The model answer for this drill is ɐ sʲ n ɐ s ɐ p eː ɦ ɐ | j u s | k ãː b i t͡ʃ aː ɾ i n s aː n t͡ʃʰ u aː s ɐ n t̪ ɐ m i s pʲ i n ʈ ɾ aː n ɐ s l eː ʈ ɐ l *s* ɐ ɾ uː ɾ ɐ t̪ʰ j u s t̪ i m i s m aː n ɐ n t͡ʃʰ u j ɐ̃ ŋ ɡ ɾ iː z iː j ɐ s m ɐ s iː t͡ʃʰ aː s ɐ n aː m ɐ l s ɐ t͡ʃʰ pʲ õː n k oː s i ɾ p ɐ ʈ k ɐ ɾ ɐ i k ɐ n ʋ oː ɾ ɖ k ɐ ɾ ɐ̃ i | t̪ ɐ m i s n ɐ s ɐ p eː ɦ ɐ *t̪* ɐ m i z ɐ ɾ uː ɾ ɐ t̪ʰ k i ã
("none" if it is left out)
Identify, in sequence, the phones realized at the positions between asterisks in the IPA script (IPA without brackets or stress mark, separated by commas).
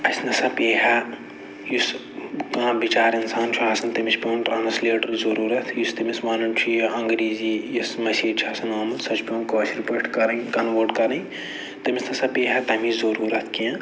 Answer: z, t̪